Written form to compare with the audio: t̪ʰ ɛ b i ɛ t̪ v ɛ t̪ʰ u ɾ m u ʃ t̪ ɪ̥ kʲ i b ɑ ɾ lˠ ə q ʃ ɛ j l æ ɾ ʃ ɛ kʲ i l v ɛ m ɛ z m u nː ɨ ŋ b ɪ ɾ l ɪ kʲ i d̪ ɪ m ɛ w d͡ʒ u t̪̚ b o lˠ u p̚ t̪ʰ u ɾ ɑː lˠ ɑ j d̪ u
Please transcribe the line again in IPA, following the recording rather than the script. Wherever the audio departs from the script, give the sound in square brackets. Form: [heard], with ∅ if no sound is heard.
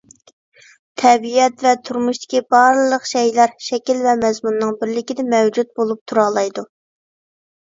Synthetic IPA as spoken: t̪ʰ ɛ b i ɛ t̪ v ɛ t̪ʰ u ɾ m u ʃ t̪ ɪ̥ kʲ i b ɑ ɾ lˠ ə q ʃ ɛ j l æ ɾ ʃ ɛ kʲ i l v ɛ m ɛ z m u nː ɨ ŋ b ɪ ɾ l ɪ kʲ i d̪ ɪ m ɛ w d͡ʒ u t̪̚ b o lˠ u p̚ t̪ʰ u ɾ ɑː lˠ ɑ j d̪ u

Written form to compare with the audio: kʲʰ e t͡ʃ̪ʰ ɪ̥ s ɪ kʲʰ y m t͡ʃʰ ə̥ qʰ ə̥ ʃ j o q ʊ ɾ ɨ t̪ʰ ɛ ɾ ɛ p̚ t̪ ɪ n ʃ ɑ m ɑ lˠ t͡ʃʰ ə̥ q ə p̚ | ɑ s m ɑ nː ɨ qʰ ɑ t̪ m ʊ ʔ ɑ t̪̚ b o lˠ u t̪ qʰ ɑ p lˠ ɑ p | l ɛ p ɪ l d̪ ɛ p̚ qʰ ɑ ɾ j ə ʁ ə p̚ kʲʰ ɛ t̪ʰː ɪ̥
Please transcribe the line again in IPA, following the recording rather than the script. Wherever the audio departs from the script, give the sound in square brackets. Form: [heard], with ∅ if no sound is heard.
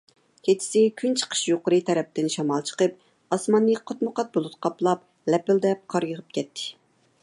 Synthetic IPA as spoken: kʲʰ e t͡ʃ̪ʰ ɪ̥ s ɪ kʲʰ y [n] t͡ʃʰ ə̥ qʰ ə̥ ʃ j o q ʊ ɾ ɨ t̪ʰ ɛ ɾ ɛ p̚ t̪ ɪ n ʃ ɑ m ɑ lˠ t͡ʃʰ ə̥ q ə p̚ | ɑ s m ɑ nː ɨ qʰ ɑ t̪ m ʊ [q] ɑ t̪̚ b o lˠ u t̪ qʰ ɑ p lˠ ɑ p | l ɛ p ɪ l d̪ ɛ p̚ qʰ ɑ ɾ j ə ʁ ə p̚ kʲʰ ɛ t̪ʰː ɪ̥

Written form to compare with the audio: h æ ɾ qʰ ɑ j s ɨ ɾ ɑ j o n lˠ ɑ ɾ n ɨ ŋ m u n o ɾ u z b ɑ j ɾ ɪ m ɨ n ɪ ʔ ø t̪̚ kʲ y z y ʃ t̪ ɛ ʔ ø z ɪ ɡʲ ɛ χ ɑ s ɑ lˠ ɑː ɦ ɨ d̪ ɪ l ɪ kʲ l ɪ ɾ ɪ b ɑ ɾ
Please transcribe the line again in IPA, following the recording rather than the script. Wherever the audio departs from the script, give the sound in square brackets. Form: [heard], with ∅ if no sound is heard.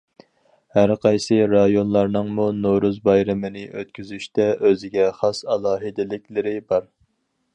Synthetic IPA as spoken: h æ ɾ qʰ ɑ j s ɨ ɾ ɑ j o n lˠ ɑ ɾ n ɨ ŋ m u n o ɾ u z b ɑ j ɾ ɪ m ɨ n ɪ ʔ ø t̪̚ kʲ y z y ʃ t̪ ɛ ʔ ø z ɪ ɡʲ ɛ χ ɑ s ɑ lˠ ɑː ɦ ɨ d̪ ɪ l ɪ kʲ l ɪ ɾ ɪ b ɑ ɾ

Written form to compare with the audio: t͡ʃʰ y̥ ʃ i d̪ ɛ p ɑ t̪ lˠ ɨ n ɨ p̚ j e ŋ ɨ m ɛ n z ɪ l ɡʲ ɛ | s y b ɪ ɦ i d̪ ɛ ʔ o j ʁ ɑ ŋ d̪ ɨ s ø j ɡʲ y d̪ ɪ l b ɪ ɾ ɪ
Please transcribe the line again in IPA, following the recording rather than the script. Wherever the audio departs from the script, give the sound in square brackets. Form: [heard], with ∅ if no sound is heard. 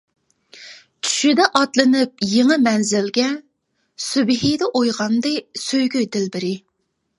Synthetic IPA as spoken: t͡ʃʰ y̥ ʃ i d̪ ɛ [ʔ] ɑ t̪ lˠ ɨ n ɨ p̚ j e ŋ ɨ m ɛ n z ɪ l ɡʲ ɛ | s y b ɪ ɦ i d̪ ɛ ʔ o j ʁ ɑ [n] d̪ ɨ s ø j ɡʲ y d̪ ɪ l b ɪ ɾ ɪ

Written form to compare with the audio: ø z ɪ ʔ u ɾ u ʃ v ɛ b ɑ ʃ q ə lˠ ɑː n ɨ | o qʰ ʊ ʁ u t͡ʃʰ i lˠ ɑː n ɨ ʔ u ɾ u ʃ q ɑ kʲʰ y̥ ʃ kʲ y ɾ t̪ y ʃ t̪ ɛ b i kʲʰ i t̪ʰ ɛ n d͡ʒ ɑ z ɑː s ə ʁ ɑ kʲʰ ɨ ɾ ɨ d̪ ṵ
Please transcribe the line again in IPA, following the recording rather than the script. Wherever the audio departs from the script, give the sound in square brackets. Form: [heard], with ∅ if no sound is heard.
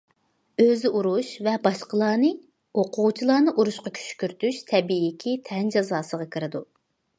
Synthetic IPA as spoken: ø z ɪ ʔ u ɾ u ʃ v ɛ b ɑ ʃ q ə lˠ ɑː n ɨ | o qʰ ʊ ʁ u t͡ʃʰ i lˠ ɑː n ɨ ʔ u ɾ u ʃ q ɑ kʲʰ y̥ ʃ kʲ y ɾ t̪ y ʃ [t̪ʰ] ɛ b i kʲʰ i t̪ʰ ɛ n d͡ʒ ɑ z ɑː s ə ʁ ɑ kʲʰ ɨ ɾ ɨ d̪ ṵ

